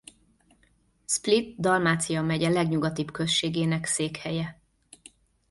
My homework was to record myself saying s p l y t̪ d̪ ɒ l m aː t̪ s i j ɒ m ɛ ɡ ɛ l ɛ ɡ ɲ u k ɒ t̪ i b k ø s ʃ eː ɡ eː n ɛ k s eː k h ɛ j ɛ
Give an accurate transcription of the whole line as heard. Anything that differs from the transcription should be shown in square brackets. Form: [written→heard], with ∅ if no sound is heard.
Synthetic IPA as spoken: s p l [y→i] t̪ d̪ ɒ l m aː t̪ s i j ɒ m ɛ [ɡ→ɟ] ɛ l ɛ ɡ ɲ u [k→ɡ] ɒ t̪ i b k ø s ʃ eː ɡ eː n ɛ k s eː k h ɛ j ɛ